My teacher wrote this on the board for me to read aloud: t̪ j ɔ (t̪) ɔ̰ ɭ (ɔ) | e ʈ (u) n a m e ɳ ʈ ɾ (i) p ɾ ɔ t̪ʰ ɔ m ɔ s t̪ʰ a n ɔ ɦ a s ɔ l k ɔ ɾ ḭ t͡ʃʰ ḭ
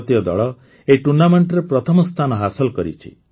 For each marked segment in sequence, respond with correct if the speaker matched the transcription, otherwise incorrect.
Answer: incorrect: d̪, correct, correct, incorrect: e

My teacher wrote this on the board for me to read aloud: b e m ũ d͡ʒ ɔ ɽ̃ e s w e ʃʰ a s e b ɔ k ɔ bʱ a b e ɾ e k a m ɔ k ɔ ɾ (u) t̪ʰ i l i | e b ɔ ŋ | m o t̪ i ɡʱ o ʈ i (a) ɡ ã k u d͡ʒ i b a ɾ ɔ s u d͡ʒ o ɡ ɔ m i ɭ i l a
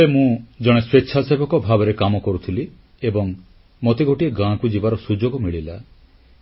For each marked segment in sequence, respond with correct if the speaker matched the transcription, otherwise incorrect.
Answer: correct, incorrect: e

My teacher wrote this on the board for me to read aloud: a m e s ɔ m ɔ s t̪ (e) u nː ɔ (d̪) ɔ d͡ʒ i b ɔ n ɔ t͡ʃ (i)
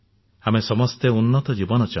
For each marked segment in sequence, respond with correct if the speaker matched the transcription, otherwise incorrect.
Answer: correct, incorrect: t̪, incorrect: a

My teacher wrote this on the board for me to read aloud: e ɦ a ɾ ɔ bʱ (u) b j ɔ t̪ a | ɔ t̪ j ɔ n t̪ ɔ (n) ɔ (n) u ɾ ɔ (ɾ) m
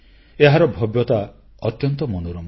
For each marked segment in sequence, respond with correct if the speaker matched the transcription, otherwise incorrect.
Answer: incorrect: ɔ, incorrect: m, correct, incorrect: none

